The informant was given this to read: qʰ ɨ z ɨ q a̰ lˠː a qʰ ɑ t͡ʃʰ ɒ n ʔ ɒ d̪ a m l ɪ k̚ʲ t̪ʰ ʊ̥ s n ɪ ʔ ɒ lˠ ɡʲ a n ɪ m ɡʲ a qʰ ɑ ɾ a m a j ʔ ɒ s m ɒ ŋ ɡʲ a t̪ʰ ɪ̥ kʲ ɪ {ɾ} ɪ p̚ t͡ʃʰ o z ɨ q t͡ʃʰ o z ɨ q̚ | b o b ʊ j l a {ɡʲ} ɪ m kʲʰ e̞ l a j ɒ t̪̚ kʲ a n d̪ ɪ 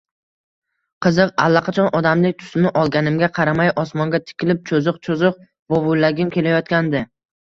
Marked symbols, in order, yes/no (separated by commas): no, yes